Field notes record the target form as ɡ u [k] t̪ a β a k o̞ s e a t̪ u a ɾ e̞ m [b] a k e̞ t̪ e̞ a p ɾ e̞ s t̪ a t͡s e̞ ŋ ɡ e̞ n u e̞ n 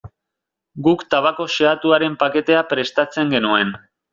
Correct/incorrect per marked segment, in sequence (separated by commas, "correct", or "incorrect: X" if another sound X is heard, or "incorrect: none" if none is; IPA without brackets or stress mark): correct, incorrect: p